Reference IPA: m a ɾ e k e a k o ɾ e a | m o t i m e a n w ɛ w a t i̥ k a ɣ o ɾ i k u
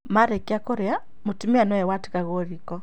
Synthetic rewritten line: m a ɾ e k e a k o ɾ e a | m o t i m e a n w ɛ w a t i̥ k a ɣ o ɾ i k ɔ